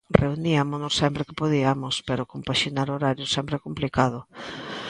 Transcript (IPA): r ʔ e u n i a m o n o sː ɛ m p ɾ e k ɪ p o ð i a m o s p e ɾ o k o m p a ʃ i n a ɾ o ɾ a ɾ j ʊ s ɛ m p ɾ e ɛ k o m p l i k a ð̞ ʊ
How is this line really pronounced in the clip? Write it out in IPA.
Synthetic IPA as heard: r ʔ e u n i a m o n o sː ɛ m p ɾ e k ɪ p o ð i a m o s p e ɾ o k o m p a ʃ i n a ɾ o ɾ a ɾ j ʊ s ɛ m p ɾ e ɛ k o m p l i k a ð̞ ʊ

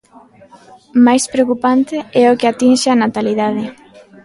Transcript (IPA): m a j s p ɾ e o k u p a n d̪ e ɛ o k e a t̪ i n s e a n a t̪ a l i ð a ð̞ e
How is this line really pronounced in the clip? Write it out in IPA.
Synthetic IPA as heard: m a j s p ɾ e o k u p a n t̪ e ɛ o k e a t̪ i n ʃ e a n a t̪ a l i ð a ð̞ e

